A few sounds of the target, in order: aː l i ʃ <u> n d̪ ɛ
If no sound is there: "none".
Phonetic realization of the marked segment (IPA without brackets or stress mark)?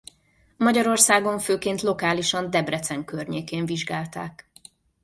ɒ